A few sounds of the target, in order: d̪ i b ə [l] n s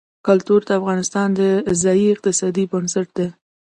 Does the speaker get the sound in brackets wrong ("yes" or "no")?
yes